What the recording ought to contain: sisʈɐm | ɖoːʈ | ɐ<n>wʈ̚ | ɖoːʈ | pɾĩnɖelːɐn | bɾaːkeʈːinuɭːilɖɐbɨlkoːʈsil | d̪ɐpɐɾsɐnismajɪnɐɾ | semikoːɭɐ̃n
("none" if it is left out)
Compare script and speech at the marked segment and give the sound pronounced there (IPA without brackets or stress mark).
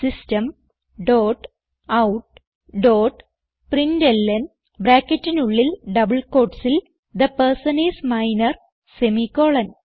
none